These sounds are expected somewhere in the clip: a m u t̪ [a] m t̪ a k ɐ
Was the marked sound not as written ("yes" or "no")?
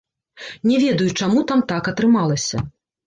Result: no